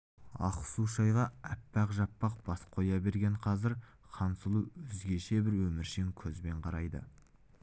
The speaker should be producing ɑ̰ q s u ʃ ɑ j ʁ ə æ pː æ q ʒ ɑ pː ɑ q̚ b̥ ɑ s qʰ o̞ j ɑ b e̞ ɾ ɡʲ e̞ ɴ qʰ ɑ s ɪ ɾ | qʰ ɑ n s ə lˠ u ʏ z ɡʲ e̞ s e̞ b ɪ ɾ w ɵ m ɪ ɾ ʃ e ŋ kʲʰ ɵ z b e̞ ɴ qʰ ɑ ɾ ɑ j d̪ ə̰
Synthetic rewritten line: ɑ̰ q s u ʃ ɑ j ʁ ɑ æ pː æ q ʒ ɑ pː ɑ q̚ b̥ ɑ s qʰ o̞ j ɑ b e̞ ɾ ɡʲ e̞ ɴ qʰ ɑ z ɪ ɾ | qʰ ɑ n s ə lˠ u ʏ z ɡʲ e̞ ʃ e̞ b ɪ ɾ w ɵ m ɪ ɾ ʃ e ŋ kʲʰ ɵ z b e̞ ɴ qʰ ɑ ɾ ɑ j d̪ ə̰